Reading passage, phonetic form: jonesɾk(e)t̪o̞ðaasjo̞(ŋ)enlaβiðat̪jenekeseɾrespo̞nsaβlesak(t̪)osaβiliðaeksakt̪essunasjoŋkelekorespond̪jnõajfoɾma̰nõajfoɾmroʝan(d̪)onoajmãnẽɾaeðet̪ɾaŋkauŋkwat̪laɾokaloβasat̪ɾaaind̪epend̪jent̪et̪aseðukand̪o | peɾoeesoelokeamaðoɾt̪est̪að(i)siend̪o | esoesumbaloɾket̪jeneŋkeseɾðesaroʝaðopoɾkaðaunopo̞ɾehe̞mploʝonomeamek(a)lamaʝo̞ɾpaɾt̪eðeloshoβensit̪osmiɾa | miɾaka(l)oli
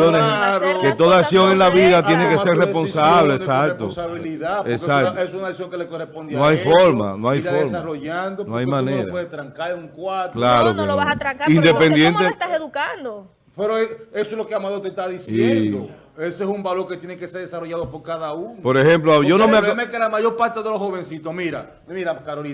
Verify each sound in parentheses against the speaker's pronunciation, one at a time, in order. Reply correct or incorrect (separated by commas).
correct, correct, correct, correct, correct, incorrect, incorrect